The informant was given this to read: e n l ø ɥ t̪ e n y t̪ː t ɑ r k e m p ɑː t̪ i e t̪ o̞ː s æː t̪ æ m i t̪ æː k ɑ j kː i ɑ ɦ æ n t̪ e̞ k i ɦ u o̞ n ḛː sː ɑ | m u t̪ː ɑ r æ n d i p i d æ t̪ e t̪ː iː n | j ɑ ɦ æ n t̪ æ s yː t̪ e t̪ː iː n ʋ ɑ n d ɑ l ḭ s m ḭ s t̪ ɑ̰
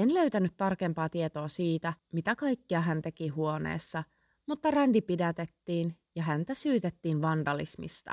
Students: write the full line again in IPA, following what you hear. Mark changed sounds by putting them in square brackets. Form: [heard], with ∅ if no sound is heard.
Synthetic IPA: e n l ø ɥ t̪ [æ] n y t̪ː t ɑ r k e m p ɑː t̪ i e t̪ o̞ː s [iː] t̪ æ m i t̪ [æ] k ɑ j kː i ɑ ɦ æ n t̪ e̞ k i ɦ u o̞ n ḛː sː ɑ | m u t̪ː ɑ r æ n d i p i d æ t̪ e t̪ː iː n | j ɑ ɦ æ n t̪ æ s yː t̪ e t̪ː iː n ʋ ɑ n d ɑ l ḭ s m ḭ s t̪ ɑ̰